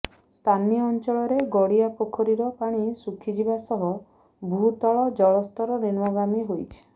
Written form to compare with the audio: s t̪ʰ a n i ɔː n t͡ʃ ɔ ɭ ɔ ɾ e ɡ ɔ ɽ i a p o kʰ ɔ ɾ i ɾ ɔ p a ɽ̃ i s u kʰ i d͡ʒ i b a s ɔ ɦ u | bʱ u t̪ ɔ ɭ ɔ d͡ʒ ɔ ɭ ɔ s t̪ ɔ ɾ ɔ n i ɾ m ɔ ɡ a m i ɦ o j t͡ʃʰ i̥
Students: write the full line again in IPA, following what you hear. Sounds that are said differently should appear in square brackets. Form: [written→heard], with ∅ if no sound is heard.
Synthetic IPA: s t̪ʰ a n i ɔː n t͡ʃ ɔ ɭ ɔ ɾ e ɡ ɔ ɽ i a p o kʰ ɔ ɾ i ɾ ɔ p a ɽ̃ i s u kʰ i d͡ʒ i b a s ɔ ɦ [u→ɔ] | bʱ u t̪ ɔ ɭ ɔ d͡ʒ ɔ ɭ ɔ s t̪ ɔ ɾ ɔ n i ɾ m ɔ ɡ a m i ɦ o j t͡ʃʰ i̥